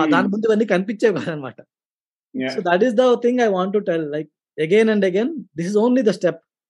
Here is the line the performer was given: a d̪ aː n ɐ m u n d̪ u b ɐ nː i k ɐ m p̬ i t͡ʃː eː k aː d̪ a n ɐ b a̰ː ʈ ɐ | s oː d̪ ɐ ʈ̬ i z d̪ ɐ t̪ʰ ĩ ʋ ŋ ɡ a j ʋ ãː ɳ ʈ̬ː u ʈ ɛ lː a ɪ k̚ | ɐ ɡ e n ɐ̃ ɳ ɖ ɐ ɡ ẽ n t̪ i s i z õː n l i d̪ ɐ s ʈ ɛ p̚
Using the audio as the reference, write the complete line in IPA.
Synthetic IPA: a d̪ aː n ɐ m u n d̪ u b ɐ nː i k ɐ n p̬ i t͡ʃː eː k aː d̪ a n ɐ m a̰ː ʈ ɐ | s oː d̪ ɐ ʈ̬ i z d̪ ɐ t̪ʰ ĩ ŋ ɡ a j ʋ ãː ɳ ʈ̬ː u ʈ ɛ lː a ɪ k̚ | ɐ ɡ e n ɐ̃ ɳ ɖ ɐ ɡ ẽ n d̪ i s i z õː n l i d̪ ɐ s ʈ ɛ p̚